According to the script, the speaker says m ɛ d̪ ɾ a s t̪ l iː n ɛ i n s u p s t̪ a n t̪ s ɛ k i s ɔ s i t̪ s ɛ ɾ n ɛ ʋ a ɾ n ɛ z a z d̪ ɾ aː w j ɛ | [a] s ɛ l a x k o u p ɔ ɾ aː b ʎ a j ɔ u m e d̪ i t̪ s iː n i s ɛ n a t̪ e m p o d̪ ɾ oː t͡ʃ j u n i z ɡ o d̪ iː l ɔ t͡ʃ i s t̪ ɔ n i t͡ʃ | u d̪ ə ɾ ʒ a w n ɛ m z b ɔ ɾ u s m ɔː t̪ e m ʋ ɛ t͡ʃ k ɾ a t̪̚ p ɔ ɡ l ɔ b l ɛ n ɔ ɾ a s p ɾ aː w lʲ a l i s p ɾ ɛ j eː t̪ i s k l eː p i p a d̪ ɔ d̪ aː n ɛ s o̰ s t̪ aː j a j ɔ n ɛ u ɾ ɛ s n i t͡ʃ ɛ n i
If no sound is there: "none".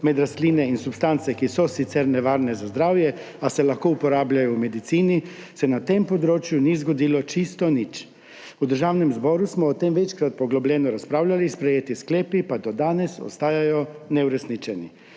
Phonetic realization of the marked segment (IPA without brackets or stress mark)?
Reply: a